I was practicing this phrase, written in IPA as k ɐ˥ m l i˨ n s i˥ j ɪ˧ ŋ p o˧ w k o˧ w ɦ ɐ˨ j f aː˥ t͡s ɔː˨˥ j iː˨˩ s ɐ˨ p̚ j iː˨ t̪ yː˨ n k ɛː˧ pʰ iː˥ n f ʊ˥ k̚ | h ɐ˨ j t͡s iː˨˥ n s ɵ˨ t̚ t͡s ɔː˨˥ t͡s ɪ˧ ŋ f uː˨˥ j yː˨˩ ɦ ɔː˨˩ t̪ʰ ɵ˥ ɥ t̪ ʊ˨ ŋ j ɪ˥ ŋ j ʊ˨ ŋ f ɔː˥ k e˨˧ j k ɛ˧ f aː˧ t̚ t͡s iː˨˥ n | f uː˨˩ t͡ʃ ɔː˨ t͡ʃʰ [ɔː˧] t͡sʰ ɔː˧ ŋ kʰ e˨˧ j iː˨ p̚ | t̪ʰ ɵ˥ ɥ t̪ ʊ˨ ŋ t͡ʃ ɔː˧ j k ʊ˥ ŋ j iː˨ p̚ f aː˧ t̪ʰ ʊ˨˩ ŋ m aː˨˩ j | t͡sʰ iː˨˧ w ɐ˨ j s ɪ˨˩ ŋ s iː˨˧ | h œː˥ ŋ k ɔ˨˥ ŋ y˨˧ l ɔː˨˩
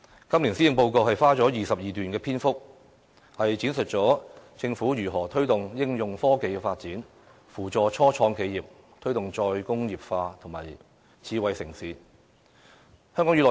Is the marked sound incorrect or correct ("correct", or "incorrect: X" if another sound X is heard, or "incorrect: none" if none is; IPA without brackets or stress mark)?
incorrect: ɔː˥